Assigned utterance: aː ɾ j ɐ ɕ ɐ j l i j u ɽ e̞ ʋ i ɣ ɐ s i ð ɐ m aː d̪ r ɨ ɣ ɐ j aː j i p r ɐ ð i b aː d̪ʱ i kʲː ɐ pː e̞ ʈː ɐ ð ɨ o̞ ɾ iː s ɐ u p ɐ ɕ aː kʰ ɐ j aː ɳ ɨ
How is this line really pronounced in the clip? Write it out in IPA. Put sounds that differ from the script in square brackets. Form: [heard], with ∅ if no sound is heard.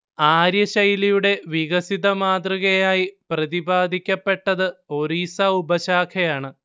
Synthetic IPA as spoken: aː ɾ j ɐ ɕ ɐ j l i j u ɽ e̞ ʋ i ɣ ɐ s i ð ɐ m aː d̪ r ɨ ɣ ɐ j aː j i p r ɐ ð i b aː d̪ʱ i kʲː ɐ pː e̞ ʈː ɐ ð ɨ o̞ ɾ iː s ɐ u [b] ɐ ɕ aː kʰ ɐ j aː ɳ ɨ